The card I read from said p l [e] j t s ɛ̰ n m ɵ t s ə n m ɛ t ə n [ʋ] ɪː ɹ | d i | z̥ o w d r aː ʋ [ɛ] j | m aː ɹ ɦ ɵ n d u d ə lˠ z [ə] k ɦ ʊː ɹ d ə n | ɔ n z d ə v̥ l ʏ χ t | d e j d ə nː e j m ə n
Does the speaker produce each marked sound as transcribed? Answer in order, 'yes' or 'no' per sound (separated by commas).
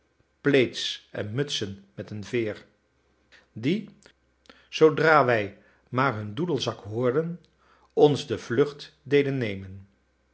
yes, no, yes, no